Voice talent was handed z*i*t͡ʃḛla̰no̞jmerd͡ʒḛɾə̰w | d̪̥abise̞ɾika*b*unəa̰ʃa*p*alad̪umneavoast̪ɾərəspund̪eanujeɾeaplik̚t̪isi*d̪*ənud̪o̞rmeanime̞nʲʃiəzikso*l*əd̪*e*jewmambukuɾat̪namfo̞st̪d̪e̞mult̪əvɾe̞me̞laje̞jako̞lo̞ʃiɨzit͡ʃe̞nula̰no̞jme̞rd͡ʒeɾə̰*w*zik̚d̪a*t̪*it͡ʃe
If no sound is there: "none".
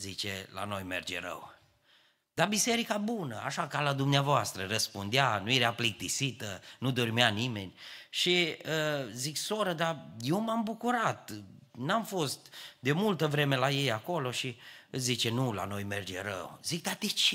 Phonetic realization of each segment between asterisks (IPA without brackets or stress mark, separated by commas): i, b, k, t̪, ɾ, a, w, t̪